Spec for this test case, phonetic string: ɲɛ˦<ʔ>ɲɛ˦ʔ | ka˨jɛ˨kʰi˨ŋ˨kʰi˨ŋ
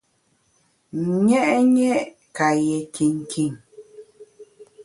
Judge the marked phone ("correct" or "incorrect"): correct